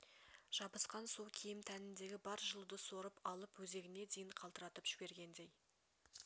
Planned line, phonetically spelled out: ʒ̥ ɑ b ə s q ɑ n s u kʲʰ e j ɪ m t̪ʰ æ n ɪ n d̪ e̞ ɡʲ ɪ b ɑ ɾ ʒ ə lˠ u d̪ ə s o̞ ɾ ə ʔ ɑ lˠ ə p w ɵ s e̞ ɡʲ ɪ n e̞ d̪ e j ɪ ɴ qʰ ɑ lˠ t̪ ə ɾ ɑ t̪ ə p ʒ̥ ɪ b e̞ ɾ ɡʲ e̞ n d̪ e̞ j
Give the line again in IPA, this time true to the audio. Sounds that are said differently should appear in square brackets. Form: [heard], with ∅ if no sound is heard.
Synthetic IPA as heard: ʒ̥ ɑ b ə s q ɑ n s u kʲʰ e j ɪ m t̪ʰ æ n ɪ n d̪ e̞ ɡʲ ɪ b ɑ ɾ ʒ ə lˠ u d̪ ə s o̞ ɾ ə [p] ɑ lˠ ə p w ɵ [z] e̞ ɡʲ ɪ n e̞ d̪ e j ɪ ɴ qʰ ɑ lˠ t̪ ə ɾ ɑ t̪ ə p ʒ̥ ɪ b e̞ ɾ ɡʲ e̞ n d̪ e̞ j